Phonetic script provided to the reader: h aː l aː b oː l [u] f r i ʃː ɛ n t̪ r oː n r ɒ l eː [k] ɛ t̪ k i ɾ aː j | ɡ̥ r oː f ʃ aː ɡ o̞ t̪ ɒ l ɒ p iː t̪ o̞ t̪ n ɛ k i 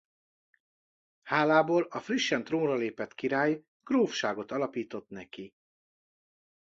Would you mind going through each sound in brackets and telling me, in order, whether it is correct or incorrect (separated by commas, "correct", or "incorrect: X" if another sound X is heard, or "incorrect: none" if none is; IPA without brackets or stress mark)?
incorrect: ɒ, incorrect: p